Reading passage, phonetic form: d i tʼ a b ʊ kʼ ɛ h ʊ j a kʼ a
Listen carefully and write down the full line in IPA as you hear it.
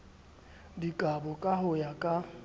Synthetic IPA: d i kʼ a b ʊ kʼ a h ʊ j a kʼ a